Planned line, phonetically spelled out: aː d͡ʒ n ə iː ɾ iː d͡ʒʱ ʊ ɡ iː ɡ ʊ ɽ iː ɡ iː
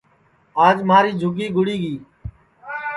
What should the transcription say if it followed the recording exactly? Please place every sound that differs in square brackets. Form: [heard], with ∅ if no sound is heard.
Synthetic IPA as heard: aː d͡ʒ [m] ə [aː] ɾ iː d͡ʒʱ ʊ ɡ iː ɡ ʊ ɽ iː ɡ iː

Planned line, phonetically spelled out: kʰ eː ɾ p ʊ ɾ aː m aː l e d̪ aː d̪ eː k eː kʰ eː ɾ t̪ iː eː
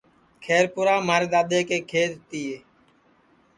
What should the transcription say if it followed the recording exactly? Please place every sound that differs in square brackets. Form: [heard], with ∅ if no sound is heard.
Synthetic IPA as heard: kʰ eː ɾ p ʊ ɾ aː m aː [ɾ] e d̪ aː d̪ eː k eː kʰ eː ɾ t̪ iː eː

